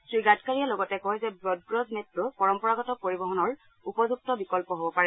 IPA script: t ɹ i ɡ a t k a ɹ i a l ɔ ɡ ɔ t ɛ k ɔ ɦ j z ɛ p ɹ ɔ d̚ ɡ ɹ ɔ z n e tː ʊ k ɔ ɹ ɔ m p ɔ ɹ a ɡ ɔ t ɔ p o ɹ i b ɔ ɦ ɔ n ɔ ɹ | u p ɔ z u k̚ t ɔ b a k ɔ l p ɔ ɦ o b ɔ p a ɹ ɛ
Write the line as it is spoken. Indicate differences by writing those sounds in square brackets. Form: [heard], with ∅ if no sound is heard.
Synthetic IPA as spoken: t ɹ i ɡ a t k a ɹ i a l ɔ ɡ ɔ t ɛ k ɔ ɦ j z ɛ [b] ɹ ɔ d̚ ɡ ɹ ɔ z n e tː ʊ [p] ɔ ɹ ɔ m p ɔ ɹ a ɡ ɔ t ɔ p o ɹ i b ɔ ɦ ɔ n ɔ ɹ | u p ɔ z u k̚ t ɔ b [i] k ɔ l p ɔ ɦ o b ɔ p a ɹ ɛ

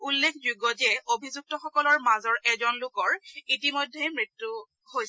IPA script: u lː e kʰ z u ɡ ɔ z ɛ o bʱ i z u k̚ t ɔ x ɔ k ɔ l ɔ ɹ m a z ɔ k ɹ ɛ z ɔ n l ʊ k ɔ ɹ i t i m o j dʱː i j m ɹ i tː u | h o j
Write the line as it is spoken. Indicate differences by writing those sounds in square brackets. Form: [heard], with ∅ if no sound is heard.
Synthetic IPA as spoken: u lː e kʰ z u ɡ ɔ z ɛ o bʱ i z u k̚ t ɔ x ɔ k ɔ l ɔ ɹ m a z ɔ [∅] ɹ ɛ z ɔ n l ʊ k ɔ ɹ i t i m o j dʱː [e] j m ɹ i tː u | h o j

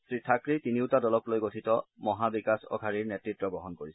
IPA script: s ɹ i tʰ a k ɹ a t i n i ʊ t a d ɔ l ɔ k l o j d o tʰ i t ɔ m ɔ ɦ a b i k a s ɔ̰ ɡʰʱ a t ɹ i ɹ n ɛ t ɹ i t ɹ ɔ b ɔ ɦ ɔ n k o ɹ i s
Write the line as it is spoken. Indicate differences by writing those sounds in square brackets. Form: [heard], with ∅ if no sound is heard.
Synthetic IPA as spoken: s ɹ i tʰ a k ɹ [i] t i n i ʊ t a d ɔ l ɔ k l o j [ɡ] o tʰ i t ɔ m ɔ ɦ a b i k a s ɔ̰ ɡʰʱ a [∅] ɹ i ɹ n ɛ t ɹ i t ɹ ɔ b ɔ ɦ ɔ n k o ɹ i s

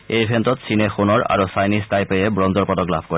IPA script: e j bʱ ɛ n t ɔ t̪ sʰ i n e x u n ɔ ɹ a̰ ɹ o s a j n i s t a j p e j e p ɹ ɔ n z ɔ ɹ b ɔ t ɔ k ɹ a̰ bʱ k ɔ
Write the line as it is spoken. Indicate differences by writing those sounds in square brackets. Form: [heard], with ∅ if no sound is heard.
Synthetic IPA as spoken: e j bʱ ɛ n t ɔ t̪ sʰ i n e x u n ɔ ɹ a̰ ɹ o s a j n i s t a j p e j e [b] ɹ ɔ n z ɔ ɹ [p] ɔ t ɔ k [l] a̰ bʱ k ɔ

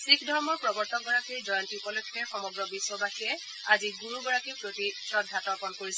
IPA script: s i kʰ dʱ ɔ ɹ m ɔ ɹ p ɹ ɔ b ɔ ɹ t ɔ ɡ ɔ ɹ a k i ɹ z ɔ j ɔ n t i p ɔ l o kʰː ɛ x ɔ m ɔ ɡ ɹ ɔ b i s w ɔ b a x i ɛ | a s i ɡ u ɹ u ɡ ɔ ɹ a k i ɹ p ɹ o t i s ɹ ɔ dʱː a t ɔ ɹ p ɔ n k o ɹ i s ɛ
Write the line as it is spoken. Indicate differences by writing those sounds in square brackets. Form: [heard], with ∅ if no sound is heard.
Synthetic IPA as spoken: s i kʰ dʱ ɔ ɹ m ɔ ɹ p ɹ ɔ b ɔ ɹ t ɔ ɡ ɔ ɹ a k i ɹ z ɔ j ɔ n t i p ɔ l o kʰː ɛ x ɔ m ɔ ɡ ɹ ɔ b i s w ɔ b a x i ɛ | a [z] i ɡ u ɹ u ɡ ɔ ɹ a k i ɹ p ɹ o t i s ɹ ɔ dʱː a t ɔ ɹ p ɔ n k o ɹ i s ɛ

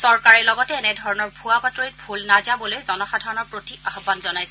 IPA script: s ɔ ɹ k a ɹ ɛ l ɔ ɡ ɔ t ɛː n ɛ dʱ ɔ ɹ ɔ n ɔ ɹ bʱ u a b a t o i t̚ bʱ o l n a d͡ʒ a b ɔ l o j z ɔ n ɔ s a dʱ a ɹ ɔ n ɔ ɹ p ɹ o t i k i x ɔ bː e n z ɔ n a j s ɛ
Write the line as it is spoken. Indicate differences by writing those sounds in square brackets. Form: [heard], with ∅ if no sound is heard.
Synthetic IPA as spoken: s ɔ ɹ k a ɹ ɛ l ɔ ɡ ɔ t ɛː n ɛ dʱ ɔ ɹ ɔ n ɔ ɹ bʱ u a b a t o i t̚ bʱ [u] l n a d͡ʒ a b ɔ l o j z ɔ n ɔ [x] a dʱ a ɹ ɔ n ɔ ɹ p ɹ o t i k [a] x ɔ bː [a] n z ɔ n a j s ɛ

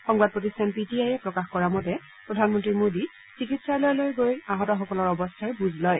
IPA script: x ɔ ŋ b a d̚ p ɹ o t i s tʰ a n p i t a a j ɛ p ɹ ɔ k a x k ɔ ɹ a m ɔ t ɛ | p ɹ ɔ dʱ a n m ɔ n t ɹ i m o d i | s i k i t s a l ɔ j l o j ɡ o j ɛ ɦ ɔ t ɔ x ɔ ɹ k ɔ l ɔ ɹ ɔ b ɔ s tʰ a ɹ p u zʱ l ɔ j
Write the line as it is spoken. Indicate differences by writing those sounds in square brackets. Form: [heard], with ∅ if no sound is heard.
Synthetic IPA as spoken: x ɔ ŋ b a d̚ p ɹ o t i s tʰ a n p i t [i] a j ɛ p ɹ ɔ k a x k ɔ ɹ a m ɔ t ɛ | p ɹ ɔ dʱ a n m ɔ n t ɹ i m o d i | s i k i t s a l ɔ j l o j ɡ o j [a] ɦ ɔ t ɔ x ɔ [∅] k ɔ l ɔ ɹ ɔ b ɔ s tʰ a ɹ [b] u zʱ l ɔ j

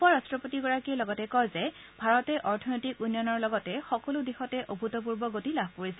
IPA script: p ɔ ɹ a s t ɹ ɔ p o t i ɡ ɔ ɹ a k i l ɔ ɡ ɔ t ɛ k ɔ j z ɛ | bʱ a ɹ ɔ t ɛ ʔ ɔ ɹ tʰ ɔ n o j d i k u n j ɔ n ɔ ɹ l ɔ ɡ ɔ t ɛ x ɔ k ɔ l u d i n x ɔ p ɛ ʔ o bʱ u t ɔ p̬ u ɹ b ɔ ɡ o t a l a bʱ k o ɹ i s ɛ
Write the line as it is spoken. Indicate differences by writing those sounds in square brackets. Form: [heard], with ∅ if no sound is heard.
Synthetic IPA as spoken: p ɔ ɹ a s t ɹ ɔ p o t i ɡ ɔ ɹ a k i l ɔ ɡ ɔ t ɛ k ɔ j z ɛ | bʱ a ɹ ɔ t ɛ ʔ ɔ ɹ tʰ ɔ n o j [t] i k u n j ɔ n ɔ ɹ l ɔ ɡ ɔ t ɛ x ɔ k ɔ l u d i [∅] x ɔ [t] ɛ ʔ o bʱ u t ɔ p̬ u ɹ b ɔ ɡ o t [i] l a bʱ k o ɹ i s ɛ

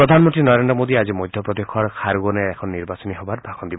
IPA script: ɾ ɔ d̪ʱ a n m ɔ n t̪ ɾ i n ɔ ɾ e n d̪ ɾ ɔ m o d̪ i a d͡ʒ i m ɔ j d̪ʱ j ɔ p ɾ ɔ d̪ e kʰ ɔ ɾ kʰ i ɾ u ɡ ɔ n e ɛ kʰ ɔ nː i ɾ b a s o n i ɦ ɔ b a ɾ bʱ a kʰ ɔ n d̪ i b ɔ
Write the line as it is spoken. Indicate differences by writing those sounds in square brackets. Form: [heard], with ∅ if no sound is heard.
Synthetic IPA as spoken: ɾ ɔ d̪ʱ a n m ɔ n t̪ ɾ i n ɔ ɾ e n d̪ ɾ ɔ m o d̪ i a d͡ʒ i m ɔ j d̪ʱ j ɔ p ɾ ɔ d̪ e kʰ ɔ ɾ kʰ [a] ɾ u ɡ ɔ n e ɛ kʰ ɔ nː i ɾ b a s [ɔ] n i ɦ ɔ b a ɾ bʱ a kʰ ɔ n d̪ i b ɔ

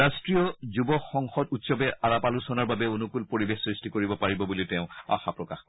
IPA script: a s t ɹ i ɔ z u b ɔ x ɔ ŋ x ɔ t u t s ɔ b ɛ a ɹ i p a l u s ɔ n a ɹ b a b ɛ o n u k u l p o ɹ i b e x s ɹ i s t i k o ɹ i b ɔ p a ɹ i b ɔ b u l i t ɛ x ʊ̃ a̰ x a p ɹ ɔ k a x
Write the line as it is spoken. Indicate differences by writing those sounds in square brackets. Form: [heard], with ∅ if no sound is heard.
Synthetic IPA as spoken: a s t ɹ i ɔ z u b ɔ x ɔ ŋ x ɔ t u t s ɔ b ɛ a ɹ [a] p a l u s ɔ n a ɹ b a b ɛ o n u k u l p o ɹ i b e x s ɹ i s t i k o ɹ i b ɔ p a ɹ i b ɔ b u l i t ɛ [∅] ʊ̃ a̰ x a p ɹ ɔ k a x

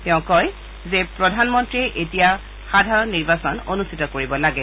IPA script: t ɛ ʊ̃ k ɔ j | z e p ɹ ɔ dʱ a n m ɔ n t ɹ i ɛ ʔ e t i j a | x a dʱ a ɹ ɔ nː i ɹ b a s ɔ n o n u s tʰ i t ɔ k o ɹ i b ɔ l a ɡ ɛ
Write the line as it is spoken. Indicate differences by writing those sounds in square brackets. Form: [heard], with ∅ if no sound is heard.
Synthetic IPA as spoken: t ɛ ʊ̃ k ɔ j | z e p ɹ ɔ dʱ a n m ɔ n t ɹ i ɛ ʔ e t i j a | x a dʱ a ɹ ɔ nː i ɹ b a s ɔ n o n u s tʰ i t ɔ k o ɹ i b ɔ l a ɡ ɛ

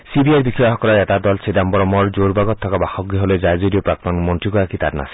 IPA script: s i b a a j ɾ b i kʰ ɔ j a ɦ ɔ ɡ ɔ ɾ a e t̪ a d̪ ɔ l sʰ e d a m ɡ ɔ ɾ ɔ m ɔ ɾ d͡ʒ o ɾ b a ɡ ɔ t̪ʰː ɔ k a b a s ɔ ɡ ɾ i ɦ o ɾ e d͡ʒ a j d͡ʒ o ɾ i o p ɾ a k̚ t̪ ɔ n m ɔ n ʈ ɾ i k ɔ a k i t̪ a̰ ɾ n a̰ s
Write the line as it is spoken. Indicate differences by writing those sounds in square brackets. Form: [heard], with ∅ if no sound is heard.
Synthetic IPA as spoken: s i b [i] a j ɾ b i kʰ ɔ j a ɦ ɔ [k] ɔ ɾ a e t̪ a d̪ ɔ l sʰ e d a m [b] ɔ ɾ ɔ m ɔ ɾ d͡ʒ o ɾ b a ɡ ɔ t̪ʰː ɔ k a b a [x] ɔ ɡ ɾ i ɦ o [l] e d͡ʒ a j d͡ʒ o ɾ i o p ɾ a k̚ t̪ ɔ n m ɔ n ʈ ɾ i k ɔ a k i t̪ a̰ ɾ n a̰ s

